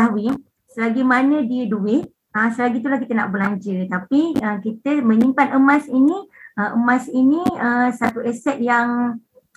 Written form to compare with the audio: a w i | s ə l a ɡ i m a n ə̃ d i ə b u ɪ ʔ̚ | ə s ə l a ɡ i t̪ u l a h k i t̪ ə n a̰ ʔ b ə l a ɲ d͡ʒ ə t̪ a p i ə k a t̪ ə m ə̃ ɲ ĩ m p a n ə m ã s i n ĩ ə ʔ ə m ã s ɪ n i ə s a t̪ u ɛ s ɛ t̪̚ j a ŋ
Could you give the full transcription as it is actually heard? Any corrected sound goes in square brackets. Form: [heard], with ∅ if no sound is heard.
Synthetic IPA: a w i | s ə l a ɡ i m a n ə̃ d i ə [d] u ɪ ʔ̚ | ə s ə l a ɡ i t̪ u l a h k i t̪ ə n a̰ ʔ b ə l a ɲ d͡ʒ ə t̪ a p i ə k [i] t̪ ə m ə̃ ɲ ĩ m p a n ə m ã s i n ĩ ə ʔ ə m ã s [i] n i ə s a t̪ u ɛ s ɛ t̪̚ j a ŋ